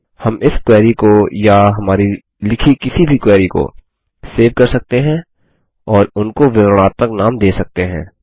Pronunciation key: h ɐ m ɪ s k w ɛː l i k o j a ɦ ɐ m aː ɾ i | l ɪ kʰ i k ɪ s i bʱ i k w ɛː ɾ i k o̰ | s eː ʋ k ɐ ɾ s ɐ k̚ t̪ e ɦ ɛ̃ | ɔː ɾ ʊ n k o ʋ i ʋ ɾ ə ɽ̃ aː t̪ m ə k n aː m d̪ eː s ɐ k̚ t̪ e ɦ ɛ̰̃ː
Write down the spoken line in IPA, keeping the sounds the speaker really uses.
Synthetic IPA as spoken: h ɐ m ɪ s k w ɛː ɾ i k o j a ɦ ɐ m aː ɾ i | l ɪ kʰ i k ɪ s i bʱ i k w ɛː ɾ i k o̰ | s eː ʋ k ɐ ɾ s ɐ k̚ t̪ e ɦ ɛ̃ | ɔː ɾ ʊ n k o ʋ ɪ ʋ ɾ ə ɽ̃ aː t̪ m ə k n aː m d̪ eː s ɐ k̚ t̪ e ɦ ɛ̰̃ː